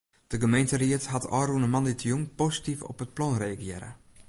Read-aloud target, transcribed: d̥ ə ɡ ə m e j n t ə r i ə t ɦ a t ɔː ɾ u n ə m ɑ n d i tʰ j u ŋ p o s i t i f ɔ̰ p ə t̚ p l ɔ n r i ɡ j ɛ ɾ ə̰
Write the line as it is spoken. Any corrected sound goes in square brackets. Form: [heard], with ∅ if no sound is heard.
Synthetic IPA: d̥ ə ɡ ə m e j n t ə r i ə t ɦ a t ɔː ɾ u n ə m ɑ n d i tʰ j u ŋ p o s i t i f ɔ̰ p ə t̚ p l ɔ n r [e] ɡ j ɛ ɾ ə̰